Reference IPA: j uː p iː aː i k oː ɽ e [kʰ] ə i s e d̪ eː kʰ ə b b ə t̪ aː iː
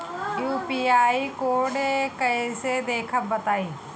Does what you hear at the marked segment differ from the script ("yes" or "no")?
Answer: yes